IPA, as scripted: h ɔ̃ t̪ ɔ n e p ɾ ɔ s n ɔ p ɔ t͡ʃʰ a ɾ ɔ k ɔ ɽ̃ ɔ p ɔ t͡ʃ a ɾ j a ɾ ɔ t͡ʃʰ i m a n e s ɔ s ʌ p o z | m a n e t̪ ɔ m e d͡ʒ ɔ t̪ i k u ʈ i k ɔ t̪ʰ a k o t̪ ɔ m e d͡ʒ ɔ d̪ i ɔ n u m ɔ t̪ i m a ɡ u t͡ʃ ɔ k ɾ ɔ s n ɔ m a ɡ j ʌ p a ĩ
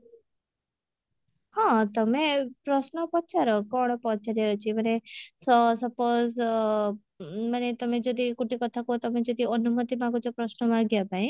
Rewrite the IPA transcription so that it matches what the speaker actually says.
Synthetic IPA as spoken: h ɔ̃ t̪ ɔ m e p ɾ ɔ s n ɔ p ɔ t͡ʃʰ a ɾ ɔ k ɔ ɽ̃ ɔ p ɔ t͡ʃ a ɾ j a ɾ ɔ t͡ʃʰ i m a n e s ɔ s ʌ p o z | m a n e t̪ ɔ m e d͡ʒ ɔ d̪ i k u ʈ i k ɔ t̪ʰ a k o t̪ ɔ m e d͡ʒ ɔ d̪ i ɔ n u m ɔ t̪ i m a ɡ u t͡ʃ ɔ p ɾ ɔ s n ɔ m a ɡ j a p a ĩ